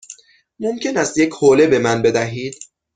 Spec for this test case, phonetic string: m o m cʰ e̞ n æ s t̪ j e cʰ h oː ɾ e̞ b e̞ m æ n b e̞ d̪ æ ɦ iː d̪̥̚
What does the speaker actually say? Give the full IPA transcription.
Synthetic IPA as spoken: m o m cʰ e̞ n æ s t̪ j e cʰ h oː l e̞ b e̞ m æ n b e̞ d̪ æ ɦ iː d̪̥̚